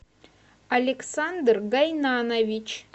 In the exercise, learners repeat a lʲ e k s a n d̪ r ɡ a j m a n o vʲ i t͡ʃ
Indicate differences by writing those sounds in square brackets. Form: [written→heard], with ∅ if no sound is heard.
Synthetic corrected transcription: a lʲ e k s a n d̪ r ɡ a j [m→n] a n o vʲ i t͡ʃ

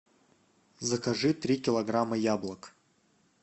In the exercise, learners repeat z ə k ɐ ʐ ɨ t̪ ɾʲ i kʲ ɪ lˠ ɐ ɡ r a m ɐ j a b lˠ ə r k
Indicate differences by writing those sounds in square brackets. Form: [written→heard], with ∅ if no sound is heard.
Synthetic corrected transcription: z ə k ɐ ʐ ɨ t̪ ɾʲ i kʲ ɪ lˠ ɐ ɡ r a m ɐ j a b lˠ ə [r→∅] k

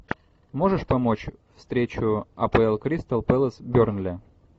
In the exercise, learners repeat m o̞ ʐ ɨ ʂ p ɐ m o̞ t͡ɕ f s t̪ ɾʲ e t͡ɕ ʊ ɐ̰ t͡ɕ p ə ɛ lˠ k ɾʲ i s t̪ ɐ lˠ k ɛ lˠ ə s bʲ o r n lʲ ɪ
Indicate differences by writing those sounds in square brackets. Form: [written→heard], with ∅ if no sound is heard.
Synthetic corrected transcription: m o̞ ʐ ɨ ʂ p ɐ m o̞ t͡ɕ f s t̪ ɾʲ e t͡ɕ ʊ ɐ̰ [t͡ɕ→∅] p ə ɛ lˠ k ɾʲ i s t̪ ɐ lˠ [k→p] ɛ lˠ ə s bʲ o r n lʲ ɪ

